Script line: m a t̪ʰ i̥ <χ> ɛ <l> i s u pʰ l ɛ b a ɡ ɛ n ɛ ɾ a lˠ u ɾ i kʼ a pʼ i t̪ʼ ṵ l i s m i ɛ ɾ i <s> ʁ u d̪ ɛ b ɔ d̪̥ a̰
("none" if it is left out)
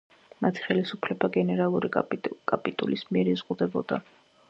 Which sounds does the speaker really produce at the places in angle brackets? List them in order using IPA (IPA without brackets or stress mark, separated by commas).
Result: χ, l, z